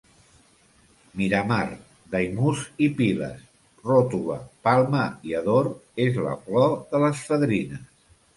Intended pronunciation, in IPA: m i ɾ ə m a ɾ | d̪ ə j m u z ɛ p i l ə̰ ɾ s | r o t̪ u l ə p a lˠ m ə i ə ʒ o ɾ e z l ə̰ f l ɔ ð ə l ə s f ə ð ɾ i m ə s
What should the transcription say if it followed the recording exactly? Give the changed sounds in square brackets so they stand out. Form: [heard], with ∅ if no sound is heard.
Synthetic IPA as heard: m i ɾ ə m a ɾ | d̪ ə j m u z [i] p i l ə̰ [∅] s | r o t̪ u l ə p a lˠ m ə i ə [ð] o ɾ e z l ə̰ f l ɔ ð ə l ə s f ə ð ɾ i [n] ə s